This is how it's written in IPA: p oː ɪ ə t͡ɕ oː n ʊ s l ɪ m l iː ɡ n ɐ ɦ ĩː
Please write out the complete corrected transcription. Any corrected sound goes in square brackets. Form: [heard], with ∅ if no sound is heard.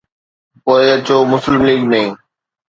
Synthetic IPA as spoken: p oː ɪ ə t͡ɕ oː [m] ʊ s l ɪ m l iː ɡ n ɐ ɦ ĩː